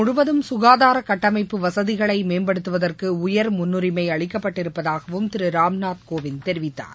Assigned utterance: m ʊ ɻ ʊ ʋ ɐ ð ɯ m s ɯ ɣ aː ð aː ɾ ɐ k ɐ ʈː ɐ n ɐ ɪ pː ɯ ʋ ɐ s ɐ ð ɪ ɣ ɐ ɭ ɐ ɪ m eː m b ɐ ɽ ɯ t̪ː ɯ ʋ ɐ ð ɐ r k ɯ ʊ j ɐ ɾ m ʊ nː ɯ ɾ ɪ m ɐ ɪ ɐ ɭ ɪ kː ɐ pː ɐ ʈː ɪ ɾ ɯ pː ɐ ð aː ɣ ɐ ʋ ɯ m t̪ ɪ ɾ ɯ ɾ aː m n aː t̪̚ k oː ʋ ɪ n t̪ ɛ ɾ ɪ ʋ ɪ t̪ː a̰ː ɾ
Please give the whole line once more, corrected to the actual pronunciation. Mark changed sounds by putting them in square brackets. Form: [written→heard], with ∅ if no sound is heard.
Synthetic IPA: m ʊ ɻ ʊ ʋ ɐ ð ɯ m s [ɯ→ʊ] ɣ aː ð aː ɾ ɐ k ɐ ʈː ɐ [n→m] ɐ ɪ pː ɯ ʋ ɐ s ɐ ð ɪ ɣ ɐ ɭ ɐ ɪ m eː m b ɐ ɽ ɯ t̪ː ɯ ʋ ɐ ð ɐ r k ɯ ʊ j ɐ ɾ m ʊ nː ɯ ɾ ɪ m ɐ ɪ ɐ ɭ ɪ kː ɐ pː ɐ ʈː ɪ ɾ ɯ pː ɐ ð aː ɣ ɐ ʋ ɯ m t̪ ɪ ɾ ɯ ɾ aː m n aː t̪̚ k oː ʋ ɪ n t̪ ɛ ɾ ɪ ʋ ɪ t̪ː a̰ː ɾ